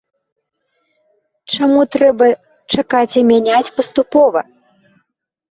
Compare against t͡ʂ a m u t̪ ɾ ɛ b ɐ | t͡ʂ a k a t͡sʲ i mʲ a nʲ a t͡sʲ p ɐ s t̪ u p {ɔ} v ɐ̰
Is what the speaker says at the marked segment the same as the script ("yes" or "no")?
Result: yes